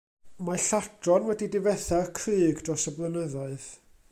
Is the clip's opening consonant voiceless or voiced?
voiced